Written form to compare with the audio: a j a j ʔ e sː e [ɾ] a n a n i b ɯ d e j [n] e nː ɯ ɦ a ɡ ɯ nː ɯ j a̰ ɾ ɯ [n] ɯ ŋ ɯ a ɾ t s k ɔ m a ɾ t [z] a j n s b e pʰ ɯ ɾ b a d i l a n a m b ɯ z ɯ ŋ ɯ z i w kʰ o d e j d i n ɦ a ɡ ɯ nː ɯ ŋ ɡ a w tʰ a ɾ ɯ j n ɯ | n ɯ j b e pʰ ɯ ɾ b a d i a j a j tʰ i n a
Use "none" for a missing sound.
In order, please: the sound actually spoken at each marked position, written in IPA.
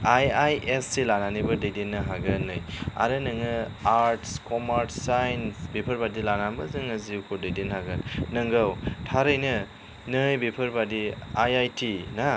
l, d, n, s

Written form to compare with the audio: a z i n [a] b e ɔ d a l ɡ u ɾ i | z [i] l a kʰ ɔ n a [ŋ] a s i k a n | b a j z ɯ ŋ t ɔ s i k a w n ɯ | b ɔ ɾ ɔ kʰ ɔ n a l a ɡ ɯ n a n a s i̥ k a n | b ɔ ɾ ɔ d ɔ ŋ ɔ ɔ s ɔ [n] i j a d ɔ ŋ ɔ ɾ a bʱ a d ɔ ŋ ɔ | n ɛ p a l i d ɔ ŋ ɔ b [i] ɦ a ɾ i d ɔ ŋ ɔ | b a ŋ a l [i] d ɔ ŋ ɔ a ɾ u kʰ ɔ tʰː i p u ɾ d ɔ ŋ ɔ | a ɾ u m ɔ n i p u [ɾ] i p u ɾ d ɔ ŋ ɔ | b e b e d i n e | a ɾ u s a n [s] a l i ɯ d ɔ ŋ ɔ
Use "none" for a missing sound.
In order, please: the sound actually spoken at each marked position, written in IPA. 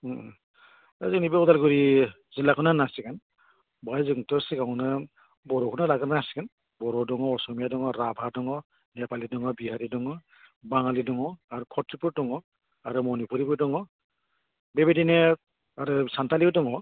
i, i, n, m, i, i, ɾ, t

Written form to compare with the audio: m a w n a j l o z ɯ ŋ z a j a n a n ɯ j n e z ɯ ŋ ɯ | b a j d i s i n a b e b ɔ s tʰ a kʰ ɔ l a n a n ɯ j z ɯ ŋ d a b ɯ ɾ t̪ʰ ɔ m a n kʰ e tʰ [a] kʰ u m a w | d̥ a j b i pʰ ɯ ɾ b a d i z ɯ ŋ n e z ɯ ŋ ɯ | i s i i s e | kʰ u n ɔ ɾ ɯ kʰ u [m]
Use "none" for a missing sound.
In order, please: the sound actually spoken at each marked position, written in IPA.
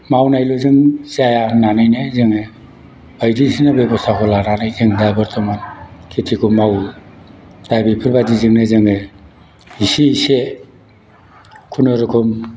i, m

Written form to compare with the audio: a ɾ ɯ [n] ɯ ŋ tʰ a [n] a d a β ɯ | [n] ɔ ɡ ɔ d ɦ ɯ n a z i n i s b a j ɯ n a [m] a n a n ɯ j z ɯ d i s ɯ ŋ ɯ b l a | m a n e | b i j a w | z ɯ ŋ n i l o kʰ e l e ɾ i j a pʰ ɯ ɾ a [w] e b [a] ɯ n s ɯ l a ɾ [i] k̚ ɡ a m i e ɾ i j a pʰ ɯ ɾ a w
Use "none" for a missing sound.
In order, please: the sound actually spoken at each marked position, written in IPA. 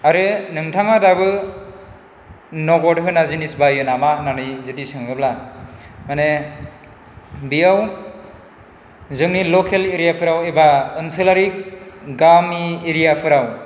n, ŋ, n, m, w, a, i

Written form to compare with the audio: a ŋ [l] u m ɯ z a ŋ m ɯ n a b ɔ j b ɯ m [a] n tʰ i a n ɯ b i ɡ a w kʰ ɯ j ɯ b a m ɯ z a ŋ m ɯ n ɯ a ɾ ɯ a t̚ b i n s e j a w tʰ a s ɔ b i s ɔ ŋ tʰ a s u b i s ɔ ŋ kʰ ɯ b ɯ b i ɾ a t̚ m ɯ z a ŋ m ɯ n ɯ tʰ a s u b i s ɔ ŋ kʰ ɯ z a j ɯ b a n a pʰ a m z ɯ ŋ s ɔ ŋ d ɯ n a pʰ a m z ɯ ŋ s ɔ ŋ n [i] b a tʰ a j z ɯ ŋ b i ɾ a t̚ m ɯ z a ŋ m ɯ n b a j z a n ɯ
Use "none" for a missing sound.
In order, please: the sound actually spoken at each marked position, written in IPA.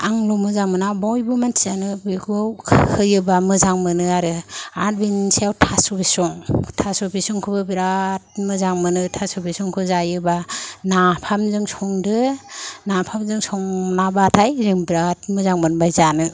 l, a, a

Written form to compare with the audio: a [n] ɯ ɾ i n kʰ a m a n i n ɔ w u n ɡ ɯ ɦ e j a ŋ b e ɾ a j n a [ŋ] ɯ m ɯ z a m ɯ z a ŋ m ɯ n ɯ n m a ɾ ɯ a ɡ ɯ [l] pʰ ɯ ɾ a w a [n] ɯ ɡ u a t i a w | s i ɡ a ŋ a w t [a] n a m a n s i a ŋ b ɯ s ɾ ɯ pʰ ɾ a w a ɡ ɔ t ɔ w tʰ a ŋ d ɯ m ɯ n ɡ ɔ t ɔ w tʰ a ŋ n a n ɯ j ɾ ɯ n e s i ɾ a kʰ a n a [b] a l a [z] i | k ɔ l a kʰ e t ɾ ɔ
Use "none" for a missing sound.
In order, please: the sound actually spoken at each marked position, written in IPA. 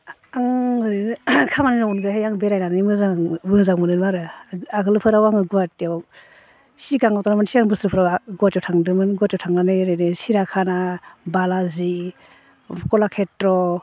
ŋ, n, l, ŋ, a, b, z

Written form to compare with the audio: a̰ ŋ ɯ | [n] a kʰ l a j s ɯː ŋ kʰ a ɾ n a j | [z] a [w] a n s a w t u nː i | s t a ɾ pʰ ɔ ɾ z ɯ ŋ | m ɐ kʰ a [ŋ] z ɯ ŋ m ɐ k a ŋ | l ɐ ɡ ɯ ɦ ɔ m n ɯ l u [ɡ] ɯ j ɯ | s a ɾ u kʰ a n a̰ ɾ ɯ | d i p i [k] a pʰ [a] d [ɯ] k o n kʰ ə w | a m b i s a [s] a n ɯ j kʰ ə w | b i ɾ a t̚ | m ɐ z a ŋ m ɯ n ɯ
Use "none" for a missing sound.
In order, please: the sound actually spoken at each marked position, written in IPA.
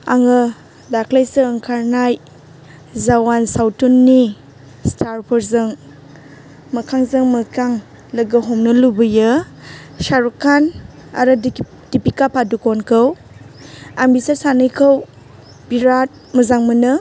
d, z, w, ŋ, b, k, a, u, s

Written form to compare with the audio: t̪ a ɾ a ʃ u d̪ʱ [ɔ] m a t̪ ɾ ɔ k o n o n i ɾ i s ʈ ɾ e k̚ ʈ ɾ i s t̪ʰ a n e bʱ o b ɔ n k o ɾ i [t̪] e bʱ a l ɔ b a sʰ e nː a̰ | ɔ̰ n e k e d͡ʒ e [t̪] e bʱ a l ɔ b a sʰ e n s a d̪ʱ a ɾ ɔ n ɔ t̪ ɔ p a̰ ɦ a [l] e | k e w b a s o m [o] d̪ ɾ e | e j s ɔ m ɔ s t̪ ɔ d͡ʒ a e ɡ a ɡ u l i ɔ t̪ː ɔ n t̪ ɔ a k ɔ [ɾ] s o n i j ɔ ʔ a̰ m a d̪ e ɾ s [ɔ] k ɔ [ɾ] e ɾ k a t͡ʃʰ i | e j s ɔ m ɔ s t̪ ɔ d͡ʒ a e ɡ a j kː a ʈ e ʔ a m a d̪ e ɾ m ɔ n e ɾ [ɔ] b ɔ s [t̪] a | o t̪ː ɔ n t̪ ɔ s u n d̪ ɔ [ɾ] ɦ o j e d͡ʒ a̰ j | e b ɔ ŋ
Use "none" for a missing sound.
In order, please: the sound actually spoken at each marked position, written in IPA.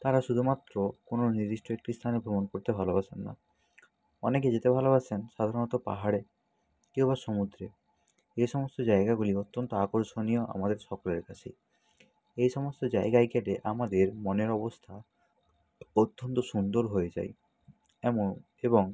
u, t̪, t̪, ɽ, u, ɾ, ɔ, l, ɔ, t̪ʰ, ɾ

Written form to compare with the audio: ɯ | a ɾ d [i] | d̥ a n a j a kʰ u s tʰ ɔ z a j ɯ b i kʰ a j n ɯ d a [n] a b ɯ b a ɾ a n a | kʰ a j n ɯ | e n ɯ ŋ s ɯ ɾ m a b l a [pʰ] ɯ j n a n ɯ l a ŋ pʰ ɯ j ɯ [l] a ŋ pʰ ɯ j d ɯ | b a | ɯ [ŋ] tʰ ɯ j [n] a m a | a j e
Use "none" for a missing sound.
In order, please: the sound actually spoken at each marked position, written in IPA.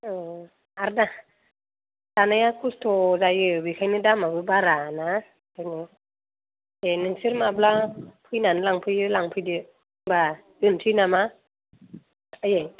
a, m, pʰ, l, n, n

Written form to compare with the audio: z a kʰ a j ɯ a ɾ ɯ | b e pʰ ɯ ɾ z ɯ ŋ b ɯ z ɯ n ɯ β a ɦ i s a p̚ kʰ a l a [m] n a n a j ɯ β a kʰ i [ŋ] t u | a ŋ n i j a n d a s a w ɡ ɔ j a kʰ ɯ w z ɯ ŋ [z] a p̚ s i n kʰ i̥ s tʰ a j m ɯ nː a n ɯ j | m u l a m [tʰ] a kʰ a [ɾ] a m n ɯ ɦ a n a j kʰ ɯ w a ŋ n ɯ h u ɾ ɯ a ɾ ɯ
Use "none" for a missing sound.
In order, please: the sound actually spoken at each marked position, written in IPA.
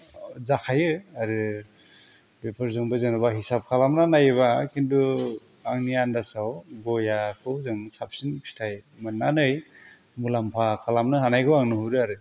m, n, s, pʰ, l

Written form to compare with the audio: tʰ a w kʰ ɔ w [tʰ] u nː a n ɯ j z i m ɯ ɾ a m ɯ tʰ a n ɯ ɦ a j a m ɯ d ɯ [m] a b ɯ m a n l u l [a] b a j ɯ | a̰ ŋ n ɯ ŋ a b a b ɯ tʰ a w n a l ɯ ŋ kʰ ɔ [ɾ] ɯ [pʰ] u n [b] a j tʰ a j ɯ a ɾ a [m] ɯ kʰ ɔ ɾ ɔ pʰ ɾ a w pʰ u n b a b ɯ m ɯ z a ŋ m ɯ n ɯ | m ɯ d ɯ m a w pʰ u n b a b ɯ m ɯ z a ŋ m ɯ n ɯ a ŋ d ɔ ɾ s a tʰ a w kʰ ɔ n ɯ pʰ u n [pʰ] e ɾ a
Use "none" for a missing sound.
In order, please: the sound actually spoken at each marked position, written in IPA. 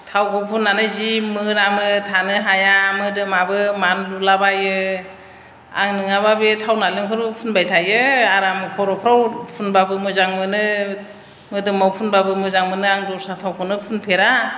pʰ, m, a, ɾ, pʰ, b, m, pʰ

